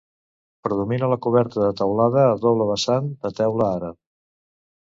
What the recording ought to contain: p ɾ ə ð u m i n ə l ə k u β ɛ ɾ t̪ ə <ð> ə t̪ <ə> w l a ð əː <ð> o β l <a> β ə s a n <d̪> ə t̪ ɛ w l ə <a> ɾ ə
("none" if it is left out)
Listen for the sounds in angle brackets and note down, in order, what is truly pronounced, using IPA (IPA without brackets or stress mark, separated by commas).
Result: ð, ə, ð, ə, d̪, a